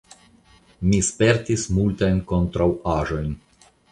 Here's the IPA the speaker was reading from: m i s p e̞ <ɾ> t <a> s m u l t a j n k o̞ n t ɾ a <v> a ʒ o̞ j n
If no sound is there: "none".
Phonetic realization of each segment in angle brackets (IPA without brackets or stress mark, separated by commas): ɾ, i, w